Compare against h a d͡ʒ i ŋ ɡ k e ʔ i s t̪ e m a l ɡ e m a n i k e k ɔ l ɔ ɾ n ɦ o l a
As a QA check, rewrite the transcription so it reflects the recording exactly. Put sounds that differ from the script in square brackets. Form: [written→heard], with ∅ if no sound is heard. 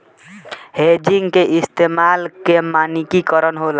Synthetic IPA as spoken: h [a→e] d͡ʒ i ŋ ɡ k e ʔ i s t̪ e m a l [ɡ→k] e m a n i k [e→i] k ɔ [l→ɾ] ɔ [ɾ→∅] n ɦ o l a